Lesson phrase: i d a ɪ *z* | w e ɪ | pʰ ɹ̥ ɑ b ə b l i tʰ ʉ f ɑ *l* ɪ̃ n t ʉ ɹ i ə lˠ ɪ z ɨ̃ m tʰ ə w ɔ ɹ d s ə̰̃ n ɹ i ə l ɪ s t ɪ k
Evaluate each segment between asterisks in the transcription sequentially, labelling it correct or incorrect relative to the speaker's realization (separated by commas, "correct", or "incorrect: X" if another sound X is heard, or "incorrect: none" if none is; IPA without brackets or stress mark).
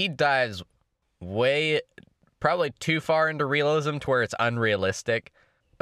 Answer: correct, incorrect: ɹ